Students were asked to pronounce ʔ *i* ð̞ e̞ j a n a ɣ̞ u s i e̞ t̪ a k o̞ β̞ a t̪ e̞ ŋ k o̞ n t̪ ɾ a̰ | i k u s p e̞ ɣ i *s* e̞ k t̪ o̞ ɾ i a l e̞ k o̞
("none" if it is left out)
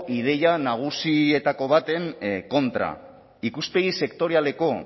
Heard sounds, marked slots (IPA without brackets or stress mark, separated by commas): i, s